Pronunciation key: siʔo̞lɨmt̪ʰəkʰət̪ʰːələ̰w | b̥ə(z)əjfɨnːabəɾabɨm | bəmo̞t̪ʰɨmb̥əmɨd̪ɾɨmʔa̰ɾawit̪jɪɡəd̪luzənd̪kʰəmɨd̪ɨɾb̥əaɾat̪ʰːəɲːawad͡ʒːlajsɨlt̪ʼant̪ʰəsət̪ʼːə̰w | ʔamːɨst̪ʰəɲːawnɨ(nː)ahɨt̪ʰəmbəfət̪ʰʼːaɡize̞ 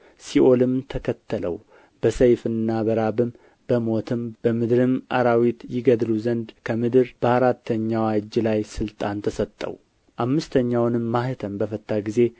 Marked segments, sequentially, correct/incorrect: incorrect: s, incorrect: mː

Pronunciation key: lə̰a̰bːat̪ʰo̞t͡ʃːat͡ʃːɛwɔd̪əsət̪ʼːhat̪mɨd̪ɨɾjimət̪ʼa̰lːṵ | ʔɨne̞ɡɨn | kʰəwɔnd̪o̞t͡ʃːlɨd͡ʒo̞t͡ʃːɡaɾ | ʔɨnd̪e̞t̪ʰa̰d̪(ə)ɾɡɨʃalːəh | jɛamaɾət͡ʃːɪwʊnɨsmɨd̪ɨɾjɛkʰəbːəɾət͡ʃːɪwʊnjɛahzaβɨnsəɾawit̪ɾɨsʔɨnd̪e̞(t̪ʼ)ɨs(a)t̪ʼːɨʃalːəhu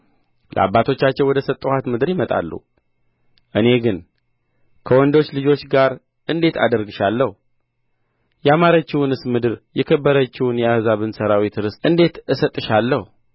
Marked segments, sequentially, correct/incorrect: correct, incorrect: t̪, incorrect: ə

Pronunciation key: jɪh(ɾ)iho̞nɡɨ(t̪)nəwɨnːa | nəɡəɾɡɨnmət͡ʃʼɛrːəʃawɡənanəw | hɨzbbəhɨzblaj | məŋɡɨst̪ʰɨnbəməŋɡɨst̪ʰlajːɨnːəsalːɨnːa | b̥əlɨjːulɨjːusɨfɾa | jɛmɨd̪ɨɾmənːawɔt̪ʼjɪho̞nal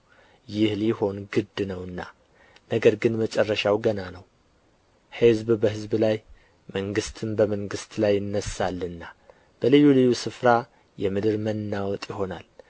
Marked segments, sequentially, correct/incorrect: incorrect: l, incorrect: d̪

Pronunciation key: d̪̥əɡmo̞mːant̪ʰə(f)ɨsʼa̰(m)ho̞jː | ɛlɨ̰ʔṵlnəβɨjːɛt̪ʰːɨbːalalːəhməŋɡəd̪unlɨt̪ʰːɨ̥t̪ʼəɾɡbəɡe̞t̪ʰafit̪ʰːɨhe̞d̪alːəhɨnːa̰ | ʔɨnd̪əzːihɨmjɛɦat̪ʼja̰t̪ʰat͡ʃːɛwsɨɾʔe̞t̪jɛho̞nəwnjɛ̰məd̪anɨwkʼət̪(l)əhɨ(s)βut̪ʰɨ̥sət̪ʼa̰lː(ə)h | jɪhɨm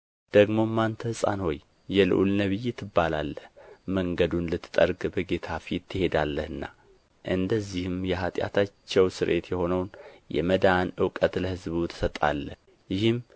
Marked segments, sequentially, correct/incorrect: incorrect: h, incorrect: n, correct, incorrect: z, correct

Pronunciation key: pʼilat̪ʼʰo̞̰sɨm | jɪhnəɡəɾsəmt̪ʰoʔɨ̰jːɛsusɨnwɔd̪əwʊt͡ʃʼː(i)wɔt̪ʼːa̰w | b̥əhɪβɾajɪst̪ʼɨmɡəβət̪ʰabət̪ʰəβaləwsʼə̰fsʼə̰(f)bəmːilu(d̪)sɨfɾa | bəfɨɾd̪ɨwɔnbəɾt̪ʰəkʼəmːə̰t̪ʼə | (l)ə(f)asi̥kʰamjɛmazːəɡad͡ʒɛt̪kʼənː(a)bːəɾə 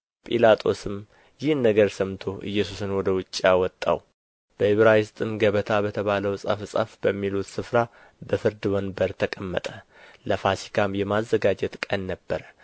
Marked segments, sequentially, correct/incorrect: incorrect: a, correct, incorrect: t̪, correct, correct, incorrect: ə

